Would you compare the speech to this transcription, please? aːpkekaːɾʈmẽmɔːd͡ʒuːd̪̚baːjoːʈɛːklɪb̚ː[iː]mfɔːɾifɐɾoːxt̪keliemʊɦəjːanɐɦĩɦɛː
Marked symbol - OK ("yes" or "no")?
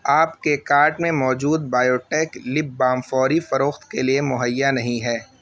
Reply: no